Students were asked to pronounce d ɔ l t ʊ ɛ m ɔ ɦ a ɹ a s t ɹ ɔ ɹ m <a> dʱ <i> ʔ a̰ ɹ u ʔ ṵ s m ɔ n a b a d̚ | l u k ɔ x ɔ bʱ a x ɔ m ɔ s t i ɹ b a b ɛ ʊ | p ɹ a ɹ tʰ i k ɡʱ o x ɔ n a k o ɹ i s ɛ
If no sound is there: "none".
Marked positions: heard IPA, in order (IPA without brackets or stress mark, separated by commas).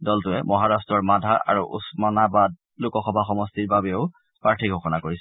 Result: a, a